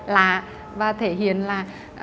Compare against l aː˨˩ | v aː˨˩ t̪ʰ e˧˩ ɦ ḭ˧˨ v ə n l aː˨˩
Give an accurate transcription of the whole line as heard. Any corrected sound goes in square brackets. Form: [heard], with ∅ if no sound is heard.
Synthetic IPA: l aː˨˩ | v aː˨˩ t̪ʰ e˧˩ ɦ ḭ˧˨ [∅] ə n l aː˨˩